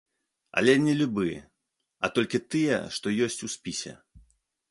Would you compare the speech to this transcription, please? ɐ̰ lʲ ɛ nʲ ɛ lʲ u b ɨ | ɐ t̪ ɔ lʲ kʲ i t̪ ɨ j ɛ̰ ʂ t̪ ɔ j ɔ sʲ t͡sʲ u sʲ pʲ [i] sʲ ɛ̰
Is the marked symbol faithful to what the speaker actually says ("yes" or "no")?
yes